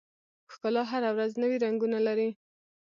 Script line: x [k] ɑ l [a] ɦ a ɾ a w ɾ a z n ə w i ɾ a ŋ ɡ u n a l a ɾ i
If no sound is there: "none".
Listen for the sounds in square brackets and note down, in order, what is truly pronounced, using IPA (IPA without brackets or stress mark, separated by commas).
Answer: k, ɑ